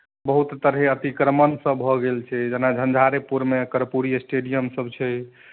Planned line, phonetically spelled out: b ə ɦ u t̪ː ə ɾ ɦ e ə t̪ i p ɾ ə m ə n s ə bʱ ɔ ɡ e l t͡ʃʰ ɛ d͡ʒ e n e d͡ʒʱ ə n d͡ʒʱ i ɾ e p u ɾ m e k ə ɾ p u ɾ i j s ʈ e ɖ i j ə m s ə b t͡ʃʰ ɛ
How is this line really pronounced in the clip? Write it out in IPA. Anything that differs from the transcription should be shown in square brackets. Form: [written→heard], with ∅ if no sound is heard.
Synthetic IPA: b ə ɦ u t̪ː ə ɾ ɦ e ə t̪ i [p→k] ɾ ə m ə n s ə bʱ ɔ ɡ e l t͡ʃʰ ɛ d͡ʒ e n [e→a] d͡ʒʱ ə n d͡ʒʱ [i→a] ɾ e p u ɾ m e k ə ɾ p u ɾ i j s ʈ e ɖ i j ə m s ə b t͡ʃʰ ɛ